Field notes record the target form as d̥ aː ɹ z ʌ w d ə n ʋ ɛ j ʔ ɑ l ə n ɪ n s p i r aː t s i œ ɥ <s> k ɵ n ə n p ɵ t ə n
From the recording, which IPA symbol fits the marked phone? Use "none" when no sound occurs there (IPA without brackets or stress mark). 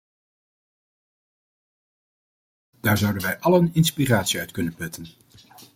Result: t